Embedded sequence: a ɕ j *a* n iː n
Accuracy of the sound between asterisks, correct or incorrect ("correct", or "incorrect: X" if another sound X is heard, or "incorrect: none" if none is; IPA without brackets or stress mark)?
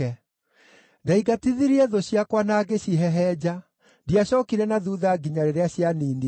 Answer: correct